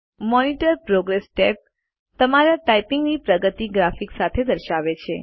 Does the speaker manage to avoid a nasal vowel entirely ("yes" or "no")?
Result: yes